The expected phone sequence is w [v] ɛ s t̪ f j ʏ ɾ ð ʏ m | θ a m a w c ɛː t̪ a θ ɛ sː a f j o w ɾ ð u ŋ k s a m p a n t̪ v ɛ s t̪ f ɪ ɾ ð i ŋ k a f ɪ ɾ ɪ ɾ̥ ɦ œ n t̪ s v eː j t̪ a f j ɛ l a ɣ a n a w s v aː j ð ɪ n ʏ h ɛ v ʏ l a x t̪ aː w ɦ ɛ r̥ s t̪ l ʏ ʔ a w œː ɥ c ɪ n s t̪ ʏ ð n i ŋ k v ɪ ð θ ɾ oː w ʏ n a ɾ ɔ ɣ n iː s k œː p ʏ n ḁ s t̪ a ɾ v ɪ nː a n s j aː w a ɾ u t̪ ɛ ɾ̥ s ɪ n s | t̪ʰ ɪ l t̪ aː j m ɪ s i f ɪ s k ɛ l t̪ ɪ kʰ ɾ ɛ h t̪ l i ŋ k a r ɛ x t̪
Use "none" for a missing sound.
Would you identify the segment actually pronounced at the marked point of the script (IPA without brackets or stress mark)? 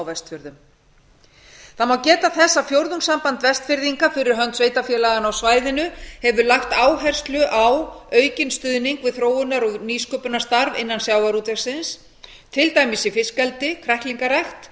v